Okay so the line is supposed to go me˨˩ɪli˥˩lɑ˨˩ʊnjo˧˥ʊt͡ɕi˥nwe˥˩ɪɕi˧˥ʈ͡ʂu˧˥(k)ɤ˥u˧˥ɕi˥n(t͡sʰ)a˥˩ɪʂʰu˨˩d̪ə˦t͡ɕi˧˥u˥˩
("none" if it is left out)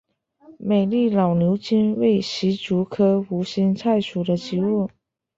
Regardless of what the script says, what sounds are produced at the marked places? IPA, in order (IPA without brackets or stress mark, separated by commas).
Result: kʰ, t͡sʰ